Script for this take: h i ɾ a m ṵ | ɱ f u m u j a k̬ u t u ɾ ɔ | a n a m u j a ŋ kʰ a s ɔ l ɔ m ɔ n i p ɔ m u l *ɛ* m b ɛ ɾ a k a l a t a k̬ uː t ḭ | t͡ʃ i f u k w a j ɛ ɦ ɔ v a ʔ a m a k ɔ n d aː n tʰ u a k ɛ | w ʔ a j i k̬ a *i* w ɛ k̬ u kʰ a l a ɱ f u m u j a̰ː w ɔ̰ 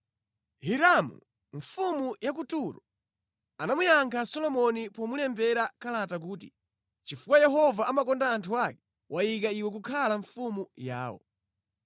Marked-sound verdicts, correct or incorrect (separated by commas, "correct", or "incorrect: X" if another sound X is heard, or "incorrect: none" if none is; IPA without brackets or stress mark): correct, correct